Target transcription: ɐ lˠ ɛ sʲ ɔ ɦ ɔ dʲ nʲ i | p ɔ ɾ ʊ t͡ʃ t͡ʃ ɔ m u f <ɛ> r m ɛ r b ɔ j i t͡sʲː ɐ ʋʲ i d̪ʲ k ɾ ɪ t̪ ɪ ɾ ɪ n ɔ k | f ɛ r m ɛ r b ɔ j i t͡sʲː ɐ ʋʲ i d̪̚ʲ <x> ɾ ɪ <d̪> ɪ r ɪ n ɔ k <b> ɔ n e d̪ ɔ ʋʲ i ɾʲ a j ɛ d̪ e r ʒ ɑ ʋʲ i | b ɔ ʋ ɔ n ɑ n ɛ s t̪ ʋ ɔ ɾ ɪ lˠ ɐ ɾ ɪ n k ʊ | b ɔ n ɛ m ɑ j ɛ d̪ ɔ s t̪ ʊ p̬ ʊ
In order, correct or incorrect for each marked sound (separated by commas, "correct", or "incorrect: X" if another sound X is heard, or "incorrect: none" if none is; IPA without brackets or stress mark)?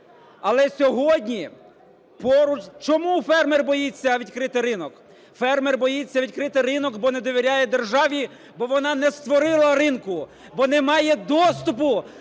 correct, incorrect: k, incorrect: t̪, correct